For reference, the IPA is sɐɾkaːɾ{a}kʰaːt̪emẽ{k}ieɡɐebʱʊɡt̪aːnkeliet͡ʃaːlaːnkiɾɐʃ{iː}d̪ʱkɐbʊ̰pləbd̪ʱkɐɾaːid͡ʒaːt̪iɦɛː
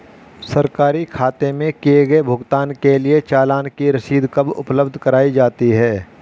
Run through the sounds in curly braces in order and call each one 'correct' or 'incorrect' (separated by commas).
incorrect, correct, correct